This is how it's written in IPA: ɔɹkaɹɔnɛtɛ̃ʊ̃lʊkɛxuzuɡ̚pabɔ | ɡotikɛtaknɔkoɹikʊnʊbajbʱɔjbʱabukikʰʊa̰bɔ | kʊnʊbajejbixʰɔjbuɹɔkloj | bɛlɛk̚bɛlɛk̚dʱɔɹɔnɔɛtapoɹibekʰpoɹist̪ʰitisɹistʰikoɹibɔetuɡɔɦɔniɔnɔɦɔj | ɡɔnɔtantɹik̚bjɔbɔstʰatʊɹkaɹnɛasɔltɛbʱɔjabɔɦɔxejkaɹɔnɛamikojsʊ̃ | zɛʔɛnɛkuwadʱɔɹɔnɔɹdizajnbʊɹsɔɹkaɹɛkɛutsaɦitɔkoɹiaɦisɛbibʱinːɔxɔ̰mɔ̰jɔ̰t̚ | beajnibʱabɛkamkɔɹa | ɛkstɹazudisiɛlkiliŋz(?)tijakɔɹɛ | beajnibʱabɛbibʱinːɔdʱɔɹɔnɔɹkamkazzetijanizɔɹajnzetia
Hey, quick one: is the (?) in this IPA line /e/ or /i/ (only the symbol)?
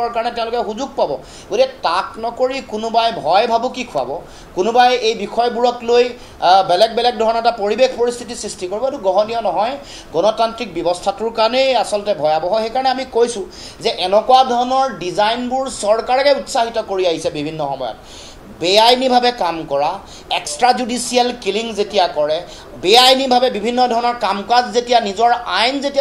e